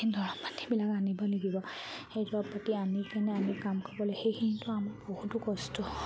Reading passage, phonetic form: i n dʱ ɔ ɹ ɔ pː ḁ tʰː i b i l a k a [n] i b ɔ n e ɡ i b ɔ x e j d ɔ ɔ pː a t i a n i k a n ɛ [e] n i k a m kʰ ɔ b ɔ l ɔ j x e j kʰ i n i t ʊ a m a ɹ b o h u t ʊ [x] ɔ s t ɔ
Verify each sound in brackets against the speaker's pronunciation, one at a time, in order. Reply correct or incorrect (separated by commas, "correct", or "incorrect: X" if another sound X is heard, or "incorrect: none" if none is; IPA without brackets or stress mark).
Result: correct, incorrect: a, incorrect: k